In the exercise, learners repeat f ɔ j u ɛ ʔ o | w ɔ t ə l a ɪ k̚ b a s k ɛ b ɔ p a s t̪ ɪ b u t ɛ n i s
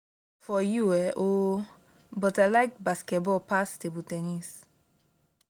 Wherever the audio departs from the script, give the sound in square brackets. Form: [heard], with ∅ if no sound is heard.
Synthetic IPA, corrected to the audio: f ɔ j u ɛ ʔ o | [b] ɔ t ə l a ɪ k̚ b a s k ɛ b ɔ p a s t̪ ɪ b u t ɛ n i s